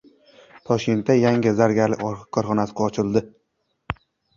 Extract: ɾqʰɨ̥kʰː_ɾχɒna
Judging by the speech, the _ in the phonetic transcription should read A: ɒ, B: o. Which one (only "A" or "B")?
A